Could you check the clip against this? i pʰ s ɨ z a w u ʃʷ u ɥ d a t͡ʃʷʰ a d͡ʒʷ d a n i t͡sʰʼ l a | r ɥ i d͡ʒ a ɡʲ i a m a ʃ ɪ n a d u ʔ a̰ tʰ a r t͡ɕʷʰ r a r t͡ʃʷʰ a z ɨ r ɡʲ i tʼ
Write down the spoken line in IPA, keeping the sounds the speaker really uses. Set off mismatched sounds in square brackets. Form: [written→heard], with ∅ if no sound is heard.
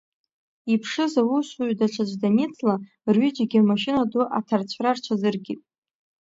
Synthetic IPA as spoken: i pʰ [s→ʂ] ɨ z a w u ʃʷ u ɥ d a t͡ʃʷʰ a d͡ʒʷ d a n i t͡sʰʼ l a | r ɥ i d͡ʒ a ɡʲ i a m a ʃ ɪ n a d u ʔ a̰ tʰ a r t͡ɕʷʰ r a r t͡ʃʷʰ a z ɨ r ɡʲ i tʼ